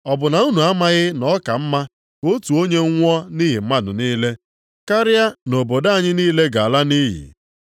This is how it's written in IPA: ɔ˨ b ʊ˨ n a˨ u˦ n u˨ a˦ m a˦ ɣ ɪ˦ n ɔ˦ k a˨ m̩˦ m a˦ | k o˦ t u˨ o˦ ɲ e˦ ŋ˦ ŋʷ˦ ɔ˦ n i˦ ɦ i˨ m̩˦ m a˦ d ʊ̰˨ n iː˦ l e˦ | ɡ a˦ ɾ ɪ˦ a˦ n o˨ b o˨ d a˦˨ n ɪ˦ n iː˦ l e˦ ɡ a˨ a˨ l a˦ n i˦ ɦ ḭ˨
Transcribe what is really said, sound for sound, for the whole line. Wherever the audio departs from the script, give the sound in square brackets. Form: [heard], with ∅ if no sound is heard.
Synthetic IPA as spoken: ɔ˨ b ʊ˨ n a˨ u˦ n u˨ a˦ m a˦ ɣ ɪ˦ n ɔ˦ k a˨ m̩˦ m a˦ | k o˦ t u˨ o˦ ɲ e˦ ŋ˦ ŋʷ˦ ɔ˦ n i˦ ɦ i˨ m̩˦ m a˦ d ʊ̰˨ n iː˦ l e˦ | [k] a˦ ɾ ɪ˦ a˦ n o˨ b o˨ d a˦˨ [ɲ] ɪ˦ n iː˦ l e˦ ɡ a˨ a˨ l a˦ n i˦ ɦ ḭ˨